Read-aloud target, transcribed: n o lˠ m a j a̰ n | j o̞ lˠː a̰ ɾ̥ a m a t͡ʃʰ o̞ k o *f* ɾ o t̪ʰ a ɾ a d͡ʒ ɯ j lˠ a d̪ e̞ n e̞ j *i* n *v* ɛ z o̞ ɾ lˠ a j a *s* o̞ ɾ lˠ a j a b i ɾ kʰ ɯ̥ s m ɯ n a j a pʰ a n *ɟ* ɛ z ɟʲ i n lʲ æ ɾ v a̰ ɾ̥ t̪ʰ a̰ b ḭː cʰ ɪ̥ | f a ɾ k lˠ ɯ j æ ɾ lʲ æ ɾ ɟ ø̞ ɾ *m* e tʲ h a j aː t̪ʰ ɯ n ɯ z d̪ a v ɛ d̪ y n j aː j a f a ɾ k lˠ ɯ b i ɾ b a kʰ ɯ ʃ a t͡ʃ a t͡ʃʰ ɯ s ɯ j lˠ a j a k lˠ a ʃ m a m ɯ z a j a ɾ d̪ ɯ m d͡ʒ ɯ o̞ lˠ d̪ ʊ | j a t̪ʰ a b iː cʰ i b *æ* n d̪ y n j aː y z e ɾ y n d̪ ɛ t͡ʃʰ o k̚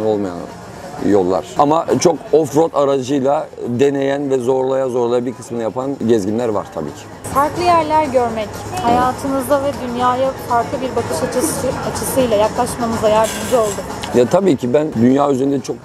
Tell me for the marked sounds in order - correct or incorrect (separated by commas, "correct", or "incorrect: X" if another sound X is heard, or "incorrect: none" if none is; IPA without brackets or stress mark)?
correct, incorrect: æ, correct, incorrect: z, correct, correct, correct